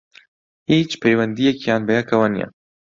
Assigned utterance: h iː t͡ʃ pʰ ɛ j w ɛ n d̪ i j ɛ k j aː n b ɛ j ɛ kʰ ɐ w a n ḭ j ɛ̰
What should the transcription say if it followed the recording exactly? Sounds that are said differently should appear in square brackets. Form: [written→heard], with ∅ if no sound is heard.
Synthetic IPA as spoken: h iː t͡ʃ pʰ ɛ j w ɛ n d̪ i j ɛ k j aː n b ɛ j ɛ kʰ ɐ w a n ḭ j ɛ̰